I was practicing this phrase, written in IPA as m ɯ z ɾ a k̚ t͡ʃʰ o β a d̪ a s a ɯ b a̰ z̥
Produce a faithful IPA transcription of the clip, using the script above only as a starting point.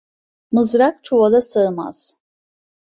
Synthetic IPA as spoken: m ɯ z ɾ a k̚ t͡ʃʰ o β a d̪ a s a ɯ m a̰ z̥